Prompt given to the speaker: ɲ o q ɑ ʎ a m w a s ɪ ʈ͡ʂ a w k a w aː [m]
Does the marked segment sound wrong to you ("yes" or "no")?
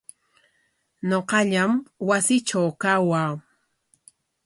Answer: yes